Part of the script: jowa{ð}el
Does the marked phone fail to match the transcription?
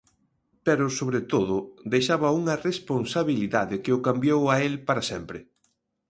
yes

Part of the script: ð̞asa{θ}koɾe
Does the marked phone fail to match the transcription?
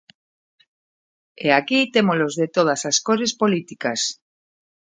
yes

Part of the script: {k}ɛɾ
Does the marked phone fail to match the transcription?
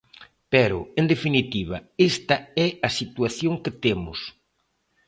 yes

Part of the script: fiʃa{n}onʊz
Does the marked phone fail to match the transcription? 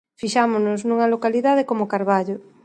yes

